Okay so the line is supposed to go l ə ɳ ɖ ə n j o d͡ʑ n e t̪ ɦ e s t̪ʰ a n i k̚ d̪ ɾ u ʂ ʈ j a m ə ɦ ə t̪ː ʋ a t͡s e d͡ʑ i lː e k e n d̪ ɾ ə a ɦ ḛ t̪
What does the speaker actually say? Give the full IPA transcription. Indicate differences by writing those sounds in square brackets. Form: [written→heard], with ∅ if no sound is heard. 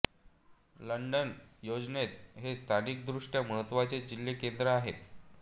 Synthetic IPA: l ə ɳ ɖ ə n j o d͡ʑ n e t̪ ɦ e s t̪ʰ a n i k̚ d̪ ɾ u ʂ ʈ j a m ə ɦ ə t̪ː ʋ a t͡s e d͡ʑ i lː e k e n d̪ ɾ ə a ɦ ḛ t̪